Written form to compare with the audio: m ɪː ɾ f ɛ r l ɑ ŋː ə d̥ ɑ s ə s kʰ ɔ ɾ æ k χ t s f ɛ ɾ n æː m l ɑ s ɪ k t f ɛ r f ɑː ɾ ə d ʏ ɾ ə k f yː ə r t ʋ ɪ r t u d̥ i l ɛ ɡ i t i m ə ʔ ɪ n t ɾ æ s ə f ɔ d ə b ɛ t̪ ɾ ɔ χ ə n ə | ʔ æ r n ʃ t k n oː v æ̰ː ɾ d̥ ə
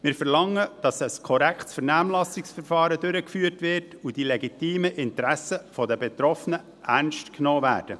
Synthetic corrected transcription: m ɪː ɾ f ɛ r l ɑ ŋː ə d̥ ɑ s ə s kʰ ɔ ɾ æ k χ t s f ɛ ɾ n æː m l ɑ s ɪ k s f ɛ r f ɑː ɾ ə d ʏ ɾ ə k f yː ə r t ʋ ɪ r t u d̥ i l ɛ ɡ i t iː m ə ʔ ɪ n t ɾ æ s ə f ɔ d ə b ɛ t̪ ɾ ɔ f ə n ə | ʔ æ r n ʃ t k n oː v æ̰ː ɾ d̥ ə